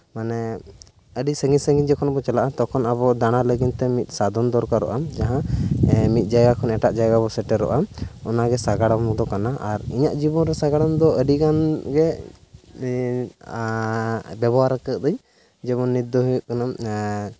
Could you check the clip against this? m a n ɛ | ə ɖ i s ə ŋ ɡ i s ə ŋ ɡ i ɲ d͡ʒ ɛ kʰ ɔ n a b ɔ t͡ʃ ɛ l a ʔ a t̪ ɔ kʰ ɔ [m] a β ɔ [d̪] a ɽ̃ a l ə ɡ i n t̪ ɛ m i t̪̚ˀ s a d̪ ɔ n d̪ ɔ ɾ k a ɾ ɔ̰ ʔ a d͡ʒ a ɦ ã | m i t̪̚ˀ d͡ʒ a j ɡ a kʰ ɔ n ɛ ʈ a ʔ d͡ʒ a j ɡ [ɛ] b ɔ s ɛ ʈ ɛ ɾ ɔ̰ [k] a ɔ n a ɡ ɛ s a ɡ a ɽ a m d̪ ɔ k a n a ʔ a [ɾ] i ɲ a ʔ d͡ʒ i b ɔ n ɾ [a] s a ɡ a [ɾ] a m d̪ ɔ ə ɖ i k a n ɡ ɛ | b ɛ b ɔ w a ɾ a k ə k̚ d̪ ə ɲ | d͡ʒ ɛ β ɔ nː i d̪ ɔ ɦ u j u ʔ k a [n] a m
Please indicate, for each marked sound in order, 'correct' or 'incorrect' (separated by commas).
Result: incorrect, correct, incorrect, incorrect, correct, incorrect, incorrect, correct